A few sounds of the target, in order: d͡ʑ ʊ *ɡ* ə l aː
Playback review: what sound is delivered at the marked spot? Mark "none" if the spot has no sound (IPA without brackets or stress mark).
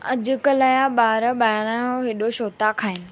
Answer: k